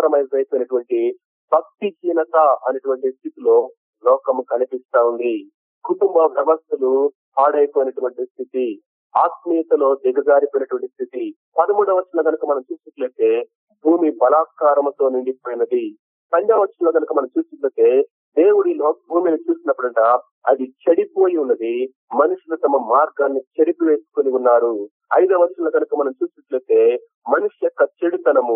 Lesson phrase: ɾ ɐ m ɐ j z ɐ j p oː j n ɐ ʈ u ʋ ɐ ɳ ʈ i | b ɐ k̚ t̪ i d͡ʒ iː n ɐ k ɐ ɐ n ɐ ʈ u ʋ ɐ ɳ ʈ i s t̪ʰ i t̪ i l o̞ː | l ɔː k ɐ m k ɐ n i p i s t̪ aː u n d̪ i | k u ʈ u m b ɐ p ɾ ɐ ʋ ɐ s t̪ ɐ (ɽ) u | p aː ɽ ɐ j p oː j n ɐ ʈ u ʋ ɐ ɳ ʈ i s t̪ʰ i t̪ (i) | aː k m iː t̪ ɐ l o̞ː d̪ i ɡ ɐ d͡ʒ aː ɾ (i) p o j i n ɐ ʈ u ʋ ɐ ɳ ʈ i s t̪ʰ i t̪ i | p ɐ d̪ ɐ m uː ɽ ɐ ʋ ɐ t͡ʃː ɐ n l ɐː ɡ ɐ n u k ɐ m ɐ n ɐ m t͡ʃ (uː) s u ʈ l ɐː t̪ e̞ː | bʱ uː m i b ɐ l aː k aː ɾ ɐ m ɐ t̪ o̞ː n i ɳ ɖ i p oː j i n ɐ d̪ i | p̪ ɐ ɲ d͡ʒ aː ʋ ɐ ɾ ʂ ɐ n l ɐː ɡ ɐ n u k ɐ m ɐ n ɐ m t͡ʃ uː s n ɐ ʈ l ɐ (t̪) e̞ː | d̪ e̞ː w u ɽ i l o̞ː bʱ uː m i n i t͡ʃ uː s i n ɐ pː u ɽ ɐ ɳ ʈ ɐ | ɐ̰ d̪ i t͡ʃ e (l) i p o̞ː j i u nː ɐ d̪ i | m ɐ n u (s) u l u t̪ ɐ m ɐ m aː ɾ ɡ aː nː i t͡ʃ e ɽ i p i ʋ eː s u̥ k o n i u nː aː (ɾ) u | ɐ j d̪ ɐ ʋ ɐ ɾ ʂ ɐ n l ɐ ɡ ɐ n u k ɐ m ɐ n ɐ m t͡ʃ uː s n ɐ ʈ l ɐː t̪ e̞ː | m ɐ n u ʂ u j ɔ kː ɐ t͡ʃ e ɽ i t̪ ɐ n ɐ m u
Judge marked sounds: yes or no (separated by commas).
no, yes, yes, yes, yes, no, no, yes